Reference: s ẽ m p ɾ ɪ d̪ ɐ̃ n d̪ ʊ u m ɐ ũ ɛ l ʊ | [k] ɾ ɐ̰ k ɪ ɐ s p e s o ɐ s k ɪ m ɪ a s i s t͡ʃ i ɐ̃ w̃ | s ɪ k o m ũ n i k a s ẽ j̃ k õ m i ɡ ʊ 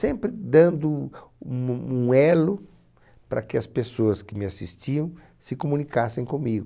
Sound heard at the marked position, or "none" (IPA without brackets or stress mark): p